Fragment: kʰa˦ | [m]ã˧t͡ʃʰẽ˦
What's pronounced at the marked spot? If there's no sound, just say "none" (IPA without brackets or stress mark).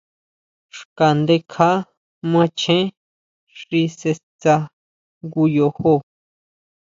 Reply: m